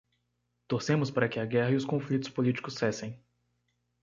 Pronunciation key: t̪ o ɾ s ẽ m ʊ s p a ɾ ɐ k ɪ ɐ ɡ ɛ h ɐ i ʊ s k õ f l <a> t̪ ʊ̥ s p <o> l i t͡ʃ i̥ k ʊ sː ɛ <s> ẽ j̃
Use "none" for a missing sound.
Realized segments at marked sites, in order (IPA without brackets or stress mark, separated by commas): i, o, s